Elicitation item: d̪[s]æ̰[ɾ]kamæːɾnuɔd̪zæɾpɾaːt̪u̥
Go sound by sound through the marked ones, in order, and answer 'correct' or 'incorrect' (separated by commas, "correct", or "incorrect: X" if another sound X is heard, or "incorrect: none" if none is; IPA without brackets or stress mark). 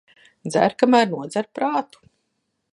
incorrect: z, correct